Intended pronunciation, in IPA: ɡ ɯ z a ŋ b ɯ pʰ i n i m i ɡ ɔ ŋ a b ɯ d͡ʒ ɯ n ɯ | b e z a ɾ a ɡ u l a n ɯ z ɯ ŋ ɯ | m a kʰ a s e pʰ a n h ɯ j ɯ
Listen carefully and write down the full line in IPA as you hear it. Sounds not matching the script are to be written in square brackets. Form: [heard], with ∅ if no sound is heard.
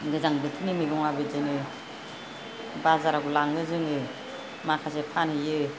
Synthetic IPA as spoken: ɡ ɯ z a ŋ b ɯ [tʰ] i n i m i ɡ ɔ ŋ a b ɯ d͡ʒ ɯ n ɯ | b [a] z a ɾ a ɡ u l a [ŋ] ɯ z ɯ ŋ ɯ | m a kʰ a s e pʰ a n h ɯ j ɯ